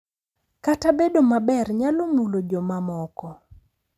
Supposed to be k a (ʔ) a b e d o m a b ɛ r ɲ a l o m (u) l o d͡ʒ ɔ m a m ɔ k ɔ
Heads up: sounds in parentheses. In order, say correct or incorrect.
incorrect: t, correct

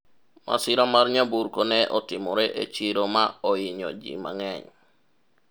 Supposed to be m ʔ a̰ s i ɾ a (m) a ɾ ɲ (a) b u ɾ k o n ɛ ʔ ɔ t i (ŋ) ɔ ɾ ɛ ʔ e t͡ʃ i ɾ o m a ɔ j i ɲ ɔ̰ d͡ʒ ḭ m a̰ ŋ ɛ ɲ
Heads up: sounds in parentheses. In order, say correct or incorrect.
correct, correct, incorrect: m

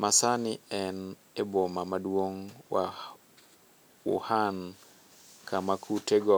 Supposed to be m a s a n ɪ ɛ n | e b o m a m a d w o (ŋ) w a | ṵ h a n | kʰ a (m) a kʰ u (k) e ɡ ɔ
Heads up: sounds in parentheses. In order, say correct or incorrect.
correct, correct, incorrect: t

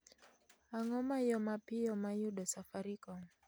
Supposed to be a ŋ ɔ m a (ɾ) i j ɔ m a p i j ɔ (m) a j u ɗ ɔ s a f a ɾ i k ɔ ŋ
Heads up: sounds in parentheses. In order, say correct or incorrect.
incorrect: none, correct

